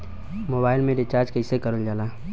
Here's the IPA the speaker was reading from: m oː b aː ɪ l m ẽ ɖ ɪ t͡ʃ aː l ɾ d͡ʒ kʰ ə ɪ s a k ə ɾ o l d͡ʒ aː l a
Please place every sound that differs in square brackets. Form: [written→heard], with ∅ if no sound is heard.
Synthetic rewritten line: m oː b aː ɪ l m ẽ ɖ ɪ t͡ʃ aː [l→∅] ɾ d͡ʒ [kʰ→k] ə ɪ s [a→e] k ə ɾ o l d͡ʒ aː l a